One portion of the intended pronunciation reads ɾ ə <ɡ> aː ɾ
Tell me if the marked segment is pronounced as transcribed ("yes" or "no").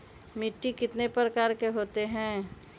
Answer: no